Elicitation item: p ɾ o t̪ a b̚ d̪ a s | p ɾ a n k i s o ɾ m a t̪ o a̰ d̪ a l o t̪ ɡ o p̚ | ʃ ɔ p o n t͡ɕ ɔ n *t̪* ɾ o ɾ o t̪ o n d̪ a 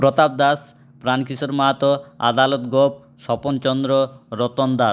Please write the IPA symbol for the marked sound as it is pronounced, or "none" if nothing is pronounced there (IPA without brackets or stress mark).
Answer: d̪